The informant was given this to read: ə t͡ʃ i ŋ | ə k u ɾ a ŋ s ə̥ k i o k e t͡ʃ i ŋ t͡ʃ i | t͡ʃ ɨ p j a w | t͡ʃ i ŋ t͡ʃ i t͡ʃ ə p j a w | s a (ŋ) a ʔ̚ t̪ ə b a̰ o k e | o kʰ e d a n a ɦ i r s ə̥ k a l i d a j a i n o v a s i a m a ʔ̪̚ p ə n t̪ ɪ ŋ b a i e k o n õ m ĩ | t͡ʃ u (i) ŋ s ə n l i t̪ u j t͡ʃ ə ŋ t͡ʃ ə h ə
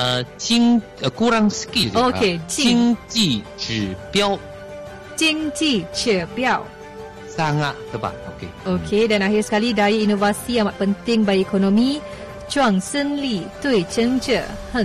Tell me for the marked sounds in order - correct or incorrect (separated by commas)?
correct, incorrect